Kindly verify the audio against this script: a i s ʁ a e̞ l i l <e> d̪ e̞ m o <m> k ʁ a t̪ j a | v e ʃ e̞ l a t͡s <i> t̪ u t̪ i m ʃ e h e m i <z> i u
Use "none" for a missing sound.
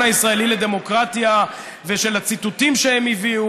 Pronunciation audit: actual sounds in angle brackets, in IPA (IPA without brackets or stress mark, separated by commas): e, none, i, v